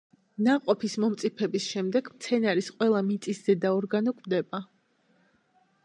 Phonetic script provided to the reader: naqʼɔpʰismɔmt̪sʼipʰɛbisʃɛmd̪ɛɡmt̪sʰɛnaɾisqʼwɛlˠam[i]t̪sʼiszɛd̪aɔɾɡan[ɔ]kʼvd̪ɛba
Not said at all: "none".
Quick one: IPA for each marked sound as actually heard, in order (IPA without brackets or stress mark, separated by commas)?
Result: i, ɔ